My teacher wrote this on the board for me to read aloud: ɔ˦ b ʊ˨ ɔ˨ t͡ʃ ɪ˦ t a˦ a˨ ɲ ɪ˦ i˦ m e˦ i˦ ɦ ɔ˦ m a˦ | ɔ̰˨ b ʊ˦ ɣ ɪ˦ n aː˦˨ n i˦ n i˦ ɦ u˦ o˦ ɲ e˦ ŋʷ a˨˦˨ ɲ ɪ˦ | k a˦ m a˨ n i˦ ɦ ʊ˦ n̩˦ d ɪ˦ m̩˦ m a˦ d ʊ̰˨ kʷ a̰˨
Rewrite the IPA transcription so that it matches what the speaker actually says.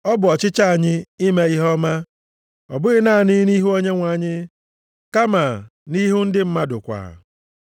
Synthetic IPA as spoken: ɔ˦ b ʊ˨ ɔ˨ t͡ʃ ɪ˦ t͡ʃ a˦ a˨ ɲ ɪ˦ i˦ m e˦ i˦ ɦ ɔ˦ m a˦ | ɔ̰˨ b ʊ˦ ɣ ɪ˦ n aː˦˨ n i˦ n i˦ ɦ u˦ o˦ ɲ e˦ ŋʷ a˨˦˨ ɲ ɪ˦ | k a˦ m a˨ n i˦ ɦ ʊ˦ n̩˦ d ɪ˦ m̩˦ m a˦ d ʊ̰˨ kʷ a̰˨